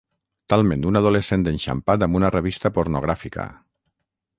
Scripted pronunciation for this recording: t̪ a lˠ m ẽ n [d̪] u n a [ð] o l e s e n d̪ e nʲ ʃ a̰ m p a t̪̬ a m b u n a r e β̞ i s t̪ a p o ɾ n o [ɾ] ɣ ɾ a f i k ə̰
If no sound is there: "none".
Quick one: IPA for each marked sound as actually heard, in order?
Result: d̪, ð, none

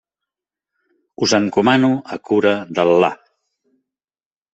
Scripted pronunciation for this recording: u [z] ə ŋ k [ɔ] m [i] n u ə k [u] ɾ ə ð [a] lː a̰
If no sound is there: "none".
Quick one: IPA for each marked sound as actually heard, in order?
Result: z, u, a, u, ə

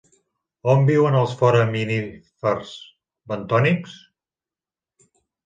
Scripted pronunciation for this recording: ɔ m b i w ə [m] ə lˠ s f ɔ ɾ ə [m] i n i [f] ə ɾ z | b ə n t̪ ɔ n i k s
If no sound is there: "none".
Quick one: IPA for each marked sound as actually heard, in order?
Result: n, m, f

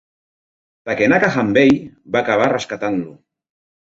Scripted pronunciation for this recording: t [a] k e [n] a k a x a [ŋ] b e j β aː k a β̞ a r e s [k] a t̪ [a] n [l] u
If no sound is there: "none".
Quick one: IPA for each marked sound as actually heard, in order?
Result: a, n, m, k, a, l

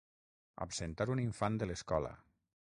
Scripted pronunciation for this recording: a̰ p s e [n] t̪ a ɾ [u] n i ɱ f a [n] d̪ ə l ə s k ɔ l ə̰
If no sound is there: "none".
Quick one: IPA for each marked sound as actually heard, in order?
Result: n, u, n

